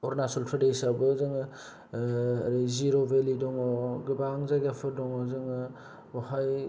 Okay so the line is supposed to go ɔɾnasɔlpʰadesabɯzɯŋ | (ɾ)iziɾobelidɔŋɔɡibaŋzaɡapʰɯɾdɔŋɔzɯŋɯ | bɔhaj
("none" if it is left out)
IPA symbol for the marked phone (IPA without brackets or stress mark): ɾ